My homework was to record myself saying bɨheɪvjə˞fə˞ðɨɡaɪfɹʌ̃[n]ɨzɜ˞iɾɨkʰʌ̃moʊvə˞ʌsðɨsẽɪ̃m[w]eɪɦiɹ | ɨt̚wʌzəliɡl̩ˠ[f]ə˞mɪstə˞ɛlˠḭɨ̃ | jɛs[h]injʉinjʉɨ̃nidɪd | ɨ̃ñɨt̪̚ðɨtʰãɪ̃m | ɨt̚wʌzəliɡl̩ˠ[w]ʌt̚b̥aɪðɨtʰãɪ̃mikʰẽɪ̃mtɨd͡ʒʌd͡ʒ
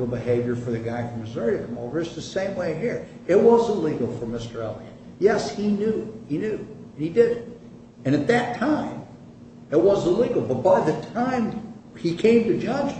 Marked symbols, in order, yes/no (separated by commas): no, yes, yes, yes, no